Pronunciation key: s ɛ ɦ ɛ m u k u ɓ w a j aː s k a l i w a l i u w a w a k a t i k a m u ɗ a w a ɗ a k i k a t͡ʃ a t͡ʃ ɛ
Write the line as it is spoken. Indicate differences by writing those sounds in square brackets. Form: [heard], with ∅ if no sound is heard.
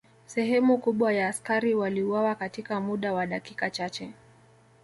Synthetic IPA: s ɛ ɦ ɛ m u k u ɓ w a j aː s k a [ɾ] i w a l i u w a w a k a t i k a m u ɗ a w a ɗ a k i k a t͡ʃ a t͡ʃ ɛ